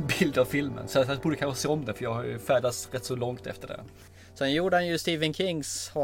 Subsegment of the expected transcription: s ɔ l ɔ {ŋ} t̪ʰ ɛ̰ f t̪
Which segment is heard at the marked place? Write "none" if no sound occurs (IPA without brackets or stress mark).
ŋ